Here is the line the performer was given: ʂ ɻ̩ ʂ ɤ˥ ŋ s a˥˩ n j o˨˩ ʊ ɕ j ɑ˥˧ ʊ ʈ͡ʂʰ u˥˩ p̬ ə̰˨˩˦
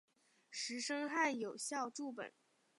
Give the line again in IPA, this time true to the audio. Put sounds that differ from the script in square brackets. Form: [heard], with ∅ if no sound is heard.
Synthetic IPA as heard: ʂ ɻ̩ ʂ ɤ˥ ŋ [x] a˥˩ n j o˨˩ ʊ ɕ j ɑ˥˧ ʊ [ʈ͡ʂ] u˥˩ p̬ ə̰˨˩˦